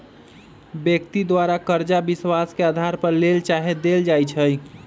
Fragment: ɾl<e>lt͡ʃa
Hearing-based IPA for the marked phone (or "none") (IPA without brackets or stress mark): e